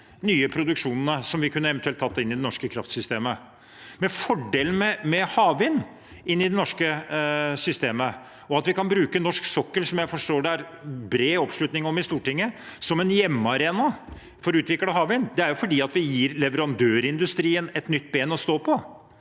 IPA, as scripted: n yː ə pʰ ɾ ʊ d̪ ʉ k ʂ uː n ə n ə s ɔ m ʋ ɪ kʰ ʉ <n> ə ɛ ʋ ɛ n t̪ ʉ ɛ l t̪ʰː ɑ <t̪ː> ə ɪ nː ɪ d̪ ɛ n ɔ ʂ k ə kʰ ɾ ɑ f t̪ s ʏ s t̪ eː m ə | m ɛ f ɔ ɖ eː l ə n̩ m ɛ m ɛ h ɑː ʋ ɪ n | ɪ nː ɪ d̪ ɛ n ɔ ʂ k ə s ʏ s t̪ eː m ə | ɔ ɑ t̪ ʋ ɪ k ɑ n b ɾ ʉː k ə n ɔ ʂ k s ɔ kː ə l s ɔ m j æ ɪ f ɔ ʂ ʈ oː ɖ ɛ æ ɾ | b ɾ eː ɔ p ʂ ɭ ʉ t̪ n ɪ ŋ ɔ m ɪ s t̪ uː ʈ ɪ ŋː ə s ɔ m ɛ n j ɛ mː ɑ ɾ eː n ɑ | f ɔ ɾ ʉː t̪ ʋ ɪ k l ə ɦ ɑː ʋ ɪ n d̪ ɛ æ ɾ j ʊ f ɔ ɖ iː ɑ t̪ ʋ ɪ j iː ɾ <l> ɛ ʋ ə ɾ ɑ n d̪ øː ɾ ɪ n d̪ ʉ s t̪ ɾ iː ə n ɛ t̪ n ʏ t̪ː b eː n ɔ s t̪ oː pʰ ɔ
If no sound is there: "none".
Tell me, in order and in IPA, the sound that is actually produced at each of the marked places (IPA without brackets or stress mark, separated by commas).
nː, t̪ː, l